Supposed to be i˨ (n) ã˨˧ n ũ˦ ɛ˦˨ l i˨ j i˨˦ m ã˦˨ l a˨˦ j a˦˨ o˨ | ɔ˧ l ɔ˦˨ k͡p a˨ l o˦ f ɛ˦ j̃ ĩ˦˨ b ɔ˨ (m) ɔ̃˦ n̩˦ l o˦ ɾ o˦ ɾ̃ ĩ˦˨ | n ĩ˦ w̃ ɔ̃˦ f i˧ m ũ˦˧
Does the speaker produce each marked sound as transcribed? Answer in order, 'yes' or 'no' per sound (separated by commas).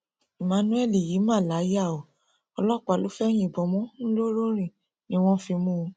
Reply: no, yes